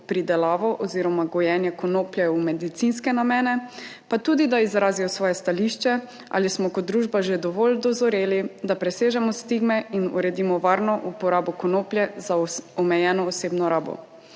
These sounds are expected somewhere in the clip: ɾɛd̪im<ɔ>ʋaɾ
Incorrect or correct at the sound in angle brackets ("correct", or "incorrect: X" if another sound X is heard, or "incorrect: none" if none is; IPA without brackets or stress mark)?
correct